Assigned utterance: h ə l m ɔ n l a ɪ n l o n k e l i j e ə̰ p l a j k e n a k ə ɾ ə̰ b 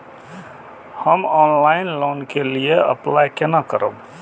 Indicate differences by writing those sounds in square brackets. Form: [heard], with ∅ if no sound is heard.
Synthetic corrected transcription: h ə [∅] m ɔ n l a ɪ n l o n k e l i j e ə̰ p l a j k e n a k ə ɾ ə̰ b